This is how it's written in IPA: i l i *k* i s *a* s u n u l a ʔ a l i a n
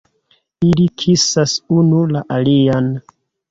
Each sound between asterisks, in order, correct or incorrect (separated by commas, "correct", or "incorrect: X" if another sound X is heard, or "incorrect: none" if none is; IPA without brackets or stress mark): incorrect: kʰ, correct